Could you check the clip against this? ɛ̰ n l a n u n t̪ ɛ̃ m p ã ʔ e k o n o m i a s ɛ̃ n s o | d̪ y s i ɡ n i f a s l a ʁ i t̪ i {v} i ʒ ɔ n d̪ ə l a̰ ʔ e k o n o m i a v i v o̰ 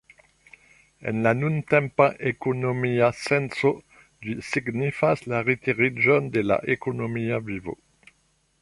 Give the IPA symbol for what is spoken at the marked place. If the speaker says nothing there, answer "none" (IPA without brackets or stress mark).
ʁ